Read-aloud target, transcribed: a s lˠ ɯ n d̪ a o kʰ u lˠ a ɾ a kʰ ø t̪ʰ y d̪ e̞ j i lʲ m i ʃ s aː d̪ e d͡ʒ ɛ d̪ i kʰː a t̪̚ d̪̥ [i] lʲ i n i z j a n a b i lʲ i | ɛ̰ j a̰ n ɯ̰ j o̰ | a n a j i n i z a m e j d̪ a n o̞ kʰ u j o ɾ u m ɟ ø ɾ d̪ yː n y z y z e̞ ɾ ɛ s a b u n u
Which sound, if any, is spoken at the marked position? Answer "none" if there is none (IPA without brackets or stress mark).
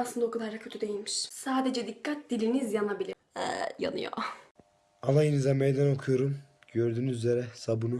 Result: i